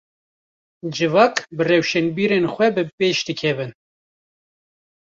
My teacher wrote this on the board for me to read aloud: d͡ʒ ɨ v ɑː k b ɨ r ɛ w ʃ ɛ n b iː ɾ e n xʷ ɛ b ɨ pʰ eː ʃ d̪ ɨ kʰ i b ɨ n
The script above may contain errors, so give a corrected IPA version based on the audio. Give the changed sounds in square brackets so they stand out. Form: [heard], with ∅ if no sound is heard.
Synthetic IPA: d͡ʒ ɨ v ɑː k b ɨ r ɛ w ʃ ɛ n b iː ɾ e n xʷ ɛ b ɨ [p] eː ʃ d̪ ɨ kʰ [ɛ] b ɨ n